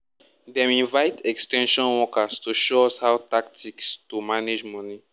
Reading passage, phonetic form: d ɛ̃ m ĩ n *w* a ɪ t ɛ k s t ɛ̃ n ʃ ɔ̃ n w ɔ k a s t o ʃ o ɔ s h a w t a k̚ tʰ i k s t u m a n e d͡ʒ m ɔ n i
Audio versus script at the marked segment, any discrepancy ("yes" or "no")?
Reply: yes